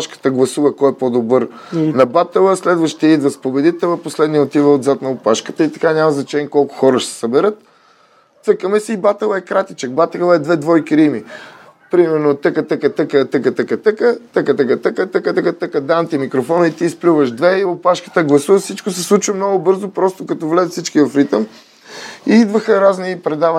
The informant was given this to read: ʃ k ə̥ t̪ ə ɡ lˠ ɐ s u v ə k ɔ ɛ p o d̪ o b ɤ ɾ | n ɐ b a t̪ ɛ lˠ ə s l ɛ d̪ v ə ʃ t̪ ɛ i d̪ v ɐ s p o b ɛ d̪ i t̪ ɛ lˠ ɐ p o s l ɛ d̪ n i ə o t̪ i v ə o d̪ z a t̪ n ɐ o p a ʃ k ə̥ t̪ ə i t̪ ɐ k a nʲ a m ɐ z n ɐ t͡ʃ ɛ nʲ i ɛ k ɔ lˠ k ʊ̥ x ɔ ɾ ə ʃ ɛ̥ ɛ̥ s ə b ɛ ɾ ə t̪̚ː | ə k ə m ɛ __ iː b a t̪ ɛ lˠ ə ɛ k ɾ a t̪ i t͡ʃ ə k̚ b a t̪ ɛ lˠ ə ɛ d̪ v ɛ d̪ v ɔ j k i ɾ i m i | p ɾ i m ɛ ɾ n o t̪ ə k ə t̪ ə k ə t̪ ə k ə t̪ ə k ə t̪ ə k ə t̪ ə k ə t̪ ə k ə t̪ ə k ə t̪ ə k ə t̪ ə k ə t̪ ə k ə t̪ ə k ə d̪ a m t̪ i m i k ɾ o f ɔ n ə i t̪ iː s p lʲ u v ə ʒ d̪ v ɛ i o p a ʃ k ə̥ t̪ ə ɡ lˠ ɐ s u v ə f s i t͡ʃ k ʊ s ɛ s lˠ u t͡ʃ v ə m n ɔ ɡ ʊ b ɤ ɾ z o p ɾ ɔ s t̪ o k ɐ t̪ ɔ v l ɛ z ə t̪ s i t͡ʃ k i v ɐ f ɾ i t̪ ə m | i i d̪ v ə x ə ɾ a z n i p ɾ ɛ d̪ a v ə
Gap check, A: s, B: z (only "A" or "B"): A